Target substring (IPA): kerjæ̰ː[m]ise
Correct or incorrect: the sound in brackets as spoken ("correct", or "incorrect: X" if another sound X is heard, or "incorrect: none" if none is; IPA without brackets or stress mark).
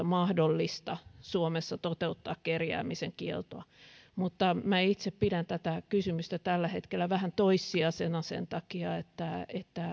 correct